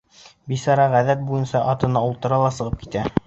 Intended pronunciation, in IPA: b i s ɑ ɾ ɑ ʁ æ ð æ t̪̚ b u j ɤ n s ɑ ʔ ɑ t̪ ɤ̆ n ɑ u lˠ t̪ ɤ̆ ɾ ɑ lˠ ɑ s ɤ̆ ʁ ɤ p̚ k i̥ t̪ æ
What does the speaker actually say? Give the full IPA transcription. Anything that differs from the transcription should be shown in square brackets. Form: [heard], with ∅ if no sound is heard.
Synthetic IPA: b i s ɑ ɾ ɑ ʁ æ ð æ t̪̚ b u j ɤ n s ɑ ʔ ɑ t̪ ɤ̆ n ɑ u lˠ t̪ ɤ̆ ɾ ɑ lˠ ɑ s ɤ̆ ʁ ɤ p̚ k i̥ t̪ æ